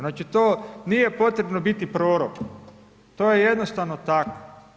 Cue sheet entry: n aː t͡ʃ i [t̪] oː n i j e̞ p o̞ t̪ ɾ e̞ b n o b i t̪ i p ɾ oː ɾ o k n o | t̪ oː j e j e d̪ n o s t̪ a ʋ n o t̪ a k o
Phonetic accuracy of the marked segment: correct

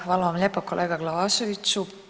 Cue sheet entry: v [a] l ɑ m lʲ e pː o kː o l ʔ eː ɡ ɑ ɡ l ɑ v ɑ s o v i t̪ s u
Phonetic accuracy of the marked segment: incorrect: ɑ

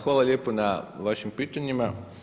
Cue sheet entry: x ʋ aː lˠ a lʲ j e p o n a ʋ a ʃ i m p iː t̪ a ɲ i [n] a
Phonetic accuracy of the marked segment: incorrect: m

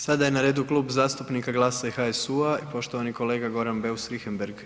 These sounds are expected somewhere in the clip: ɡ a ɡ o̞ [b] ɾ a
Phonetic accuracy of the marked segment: incorrect: none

